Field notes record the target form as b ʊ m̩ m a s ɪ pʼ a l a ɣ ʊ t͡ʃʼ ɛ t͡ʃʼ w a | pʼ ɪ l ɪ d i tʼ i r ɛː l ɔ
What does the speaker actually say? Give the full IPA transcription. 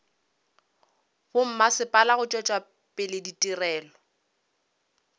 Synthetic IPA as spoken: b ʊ m̩ m a s ɪ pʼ a l a ɣ ʊ t͡ʃʼ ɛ t͡ʃʼ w a | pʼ ɪ l ɪ d i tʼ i r ɛː l ɔ

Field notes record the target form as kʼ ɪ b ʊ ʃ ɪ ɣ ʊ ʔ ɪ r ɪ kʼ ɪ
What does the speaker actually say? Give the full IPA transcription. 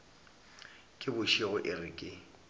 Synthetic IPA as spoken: kʼ ɪ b ʊ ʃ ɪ ɣ ʊ ʔ ɪ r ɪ kʼ ɪ

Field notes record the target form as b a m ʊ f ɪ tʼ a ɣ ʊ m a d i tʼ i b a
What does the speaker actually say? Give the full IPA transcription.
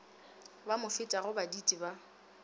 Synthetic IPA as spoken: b a m ʊ f ɪ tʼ a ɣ ʊ b a d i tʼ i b a

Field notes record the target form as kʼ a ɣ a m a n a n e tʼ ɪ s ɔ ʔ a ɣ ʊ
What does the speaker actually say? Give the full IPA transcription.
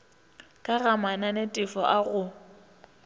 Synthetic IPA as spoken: kʼ a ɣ a m a n a n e tʼ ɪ f ɔ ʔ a ɣ ʊ

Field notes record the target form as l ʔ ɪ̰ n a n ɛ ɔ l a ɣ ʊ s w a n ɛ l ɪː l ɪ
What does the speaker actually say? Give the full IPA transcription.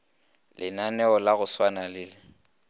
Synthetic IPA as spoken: l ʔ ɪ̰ n a n ɛ ɔ l a ɣ ʊ s w a n a l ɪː l ɪ

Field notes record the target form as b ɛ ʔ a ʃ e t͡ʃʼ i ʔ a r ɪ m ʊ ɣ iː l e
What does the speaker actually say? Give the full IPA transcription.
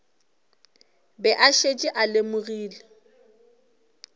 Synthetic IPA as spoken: b ɛ ʔ a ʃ e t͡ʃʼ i ʔ a l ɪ m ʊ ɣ iː l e

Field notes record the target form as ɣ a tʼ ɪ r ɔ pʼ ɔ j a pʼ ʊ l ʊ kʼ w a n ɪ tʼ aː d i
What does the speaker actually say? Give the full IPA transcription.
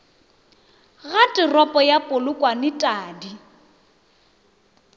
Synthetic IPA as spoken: ɣ a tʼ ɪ r ɔ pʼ ɔ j a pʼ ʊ l ʊ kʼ w a n ɪ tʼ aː d i

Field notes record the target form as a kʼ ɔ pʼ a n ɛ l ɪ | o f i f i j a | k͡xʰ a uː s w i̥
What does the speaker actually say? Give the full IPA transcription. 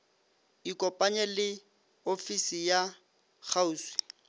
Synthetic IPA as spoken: i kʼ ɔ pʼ a ɲ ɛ l ɪ | o f i s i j a | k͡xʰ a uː s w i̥

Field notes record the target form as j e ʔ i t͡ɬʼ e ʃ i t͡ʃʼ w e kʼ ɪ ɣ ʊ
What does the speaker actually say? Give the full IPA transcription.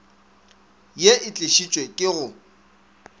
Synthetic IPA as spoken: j e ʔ ɪ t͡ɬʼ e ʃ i t͡ʃʼ w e kʼ ɪ ɣ ʊ

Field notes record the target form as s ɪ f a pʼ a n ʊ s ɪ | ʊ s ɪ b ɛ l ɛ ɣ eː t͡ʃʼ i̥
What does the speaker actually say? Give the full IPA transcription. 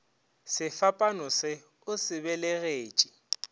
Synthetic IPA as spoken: s ɪ f a pʼ a n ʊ s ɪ | ʊ s ɪ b ɛ l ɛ ɣ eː t͡ʃʼ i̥

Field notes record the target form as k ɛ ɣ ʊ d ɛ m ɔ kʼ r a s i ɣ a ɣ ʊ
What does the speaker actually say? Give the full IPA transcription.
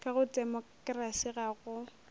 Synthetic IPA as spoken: k a ɣ ʊ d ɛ m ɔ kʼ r a s i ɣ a ɣ ʊ

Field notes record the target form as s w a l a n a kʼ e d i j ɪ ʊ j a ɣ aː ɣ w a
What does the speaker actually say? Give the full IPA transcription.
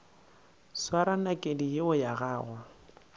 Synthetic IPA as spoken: s w a ɾ a n a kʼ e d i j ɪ ʊ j a ɣ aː ɣ w a

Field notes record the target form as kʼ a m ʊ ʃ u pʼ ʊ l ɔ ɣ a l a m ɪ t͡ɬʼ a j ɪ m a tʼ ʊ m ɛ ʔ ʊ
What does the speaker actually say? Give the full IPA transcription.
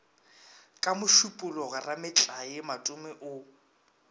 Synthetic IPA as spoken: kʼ a m ʊ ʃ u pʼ ʊ l ɔ ɣ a r a m ɪ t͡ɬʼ a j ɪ m a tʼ ʊ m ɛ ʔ ʊ

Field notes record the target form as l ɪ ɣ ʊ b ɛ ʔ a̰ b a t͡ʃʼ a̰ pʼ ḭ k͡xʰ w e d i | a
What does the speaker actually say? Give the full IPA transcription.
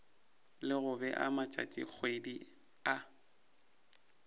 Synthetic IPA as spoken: l ɪ ɣ ʊ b ɛ ʔ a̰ m a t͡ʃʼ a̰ tʼ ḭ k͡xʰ w e d i | a

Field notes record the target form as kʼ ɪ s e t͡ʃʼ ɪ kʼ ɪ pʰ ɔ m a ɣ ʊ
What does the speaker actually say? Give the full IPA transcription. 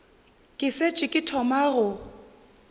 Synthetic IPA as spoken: kʼ ɪ s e t͡ʃʼ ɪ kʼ ɪ tʰ ɔ m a ɣ ʊ

